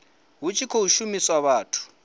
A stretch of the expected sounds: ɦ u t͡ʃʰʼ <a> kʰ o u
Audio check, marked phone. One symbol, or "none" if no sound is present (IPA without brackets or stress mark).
i